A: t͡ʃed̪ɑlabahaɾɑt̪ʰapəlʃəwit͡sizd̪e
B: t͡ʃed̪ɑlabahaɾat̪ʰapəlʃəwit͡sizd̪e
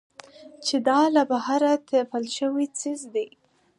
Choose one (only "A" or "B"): B